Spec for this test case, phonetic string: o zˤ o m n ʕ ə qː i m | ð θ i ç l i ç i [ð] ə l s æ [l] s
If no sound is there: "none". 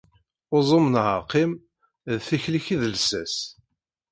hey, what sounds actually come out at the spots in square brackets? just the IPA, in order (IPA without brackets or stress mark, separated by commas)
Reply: ð, none